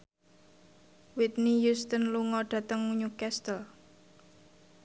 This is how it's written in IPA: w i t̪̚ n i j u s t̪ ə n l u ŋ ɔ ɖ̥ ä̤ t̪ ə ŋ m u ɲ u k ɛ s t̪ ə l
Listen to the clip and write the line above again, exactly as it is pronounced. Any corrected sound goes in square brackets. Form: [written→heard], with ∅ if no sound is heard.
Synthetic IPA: w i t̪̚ n i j u s t̪ ə n l u ŋ ɔ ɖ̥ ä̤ t̪ ə ŋ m u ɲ u k ɛ s t̪ ə l